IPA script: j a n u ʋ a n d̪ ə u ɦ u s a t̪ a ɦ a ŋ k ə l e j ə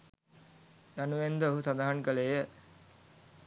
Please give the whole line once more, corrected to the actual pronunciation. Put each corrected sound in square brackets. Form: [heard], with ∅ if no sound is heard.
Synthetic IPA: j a n u ʋ [e] n d̪ ə [o] ɦ u s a [d̪] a ɦ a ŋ k ə l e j ə